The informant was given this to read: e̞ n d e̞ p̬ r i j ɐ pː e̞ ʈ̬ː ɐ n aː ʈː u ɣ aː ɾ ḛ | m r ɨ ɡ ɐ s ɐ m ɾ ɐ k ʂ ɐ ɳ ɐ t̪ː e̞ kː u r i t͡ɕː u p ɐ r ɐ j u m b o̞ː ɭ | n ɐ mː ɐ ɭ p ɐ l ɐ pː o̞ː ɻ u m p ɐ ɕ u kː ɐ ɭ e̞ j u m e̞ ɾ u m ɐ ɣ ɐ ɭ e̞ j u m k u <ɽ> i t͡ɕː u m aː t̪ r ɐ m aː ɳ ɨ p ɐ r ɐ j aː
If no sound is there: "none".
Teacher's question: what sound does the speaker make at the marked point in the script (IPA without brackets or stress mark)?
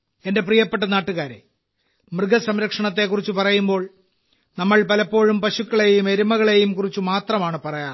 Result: r